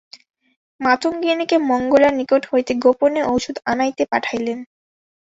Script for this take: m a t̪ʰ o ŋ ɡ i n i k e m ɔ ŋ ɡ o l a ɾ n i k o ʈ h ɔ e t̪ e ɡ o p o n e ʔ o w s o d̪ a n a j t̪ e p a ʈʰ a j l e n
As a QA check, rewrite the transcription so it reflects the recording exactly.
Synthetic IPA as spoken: m a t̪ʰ o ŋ ɡ i n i k e m ɔ ŋ ɡ o l a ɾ n i k o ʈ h o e t̪ e ɡ o p o n e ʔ o w ʃ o d̪ a n a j t̪ e p a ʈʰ a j l e n

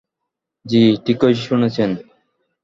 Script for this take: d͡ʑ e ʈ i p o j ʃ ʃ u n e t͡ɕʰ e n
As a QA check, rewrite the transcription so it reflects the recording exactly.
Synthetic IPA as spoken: d͡ʑ i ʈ i k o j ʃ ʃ u n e t͡ɕʰ e n

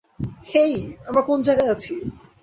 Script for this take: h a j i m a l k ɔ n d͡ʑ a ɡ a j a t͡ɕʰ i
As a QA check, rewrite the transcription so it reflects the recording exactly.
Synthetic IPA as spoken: h e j a m a ɾ k o n d͡ʑ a ɡ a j a t͡ɕʰ i

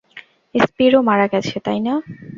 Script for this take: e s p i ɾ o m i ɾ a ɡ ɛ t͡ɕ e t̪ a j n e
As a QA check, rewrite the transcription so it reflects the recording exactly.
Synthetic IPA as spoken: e s p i ɾ o m a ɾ a ɡ ɛ t͡ɕʰ e t̪ a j n a

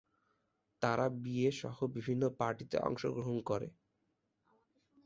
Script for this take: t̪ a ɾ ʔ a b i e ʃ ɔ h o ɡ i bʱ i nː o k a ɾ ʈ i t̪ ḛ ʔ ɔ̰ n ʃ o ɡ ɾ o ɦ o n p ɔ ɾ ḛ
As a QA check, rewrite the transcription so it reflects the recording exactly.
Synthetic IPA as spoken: t̪ a ɾ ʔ a b i e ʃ ɔ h o b i bʱ i nː o p a ɾ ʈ i t̪ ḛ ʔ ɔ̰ ŋ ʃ o ɡ ɾ o ɦ o n k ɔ ɾ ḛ

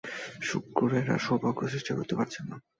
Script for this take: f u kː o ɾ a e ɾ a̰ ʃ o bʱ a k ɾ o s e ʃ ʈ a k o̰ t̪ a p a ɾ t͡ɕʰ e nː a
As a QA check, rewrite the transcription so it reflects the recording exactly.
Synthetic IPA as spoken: ʃ u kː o ɾ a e ɾ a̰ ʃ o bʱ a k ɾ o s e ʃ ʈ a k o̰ t̪ e p a ɾ t͡ɕʰ e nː a

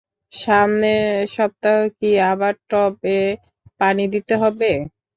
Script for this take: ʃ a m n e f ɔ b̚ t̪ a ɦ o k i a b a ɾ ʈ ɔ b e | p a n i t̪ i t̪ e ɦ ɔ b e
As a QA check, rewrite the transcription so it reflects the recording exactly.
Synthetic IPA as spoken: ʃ a m n e ʃ ɔ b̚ t̪ a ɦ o k i a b a ɾ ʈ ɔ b e | p a n i d̪ i t̪ e ɦ ɔ b e

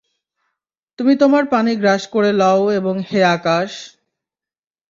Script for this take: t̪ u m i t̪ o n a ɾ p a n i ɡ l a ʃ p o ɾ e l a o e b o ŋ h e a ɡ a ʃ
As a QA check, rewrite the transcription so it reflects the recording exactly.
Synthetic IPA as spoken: t̪ u m i t̪ o m a ɾ p a n i ɡ ɾ a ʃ k o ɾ e l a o e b o ŋ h e a k a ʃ

